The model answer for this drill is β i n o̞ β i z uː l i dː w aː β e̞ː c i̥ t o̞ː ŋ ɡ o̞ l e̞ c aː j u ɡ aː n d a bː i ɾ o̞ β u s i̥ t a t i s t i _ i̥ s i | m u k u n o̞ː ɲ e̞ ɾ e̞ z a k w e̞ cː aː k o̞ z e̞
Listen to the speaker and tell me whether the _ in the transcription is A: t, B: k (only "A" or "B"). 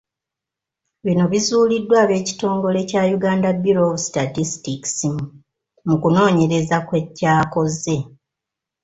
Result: B